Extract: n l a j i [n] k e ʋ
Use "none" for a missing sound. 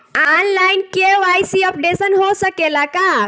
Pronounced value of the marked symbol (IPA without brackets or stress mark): n